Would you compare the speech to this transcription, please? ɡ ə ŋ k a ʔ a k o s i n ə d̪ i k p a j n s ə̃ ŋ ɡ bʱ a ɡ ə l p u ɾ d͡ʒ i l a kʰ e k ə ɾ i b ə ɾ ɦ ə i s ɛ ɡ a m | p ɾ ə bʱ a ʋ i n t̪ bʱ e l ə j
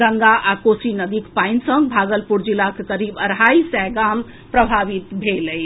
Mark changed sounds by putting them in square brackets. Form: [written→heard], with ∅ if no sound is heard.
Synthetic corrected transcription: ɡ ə ŋ [k→ɡ] a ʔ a k o s i n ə d̪ i k p a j n s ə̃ ŋ ɡ bʱ a ɡ ə l p u ɾ d͡ʒ i l a [kʰ→k] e k ə ɾ i b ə ɾ ɦ [ə→a] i s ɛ ɡ a m | p ɾ ə bʱ a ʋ i [n→∅] t̪ bʱ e l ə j